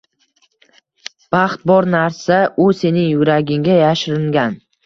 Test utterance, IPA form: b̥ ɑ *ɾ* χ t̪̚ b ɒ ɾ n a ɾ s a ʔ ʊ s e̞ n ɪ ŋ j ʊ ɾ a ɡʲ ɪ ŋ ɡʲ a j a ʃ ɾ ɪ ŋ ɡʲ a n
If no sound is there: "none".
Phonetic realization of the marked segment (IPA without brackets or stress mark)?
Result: none